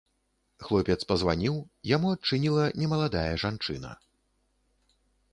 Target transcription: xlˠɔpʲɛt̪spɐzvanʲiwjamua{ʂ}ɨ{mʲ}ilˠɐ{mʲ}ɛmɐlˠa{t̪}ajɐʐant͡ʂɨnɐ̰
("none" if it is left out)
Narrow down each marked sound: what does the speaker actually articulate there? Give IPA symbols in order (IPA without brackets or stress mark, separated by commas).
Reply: t͡ʂ, nʲ, nʲ, d̪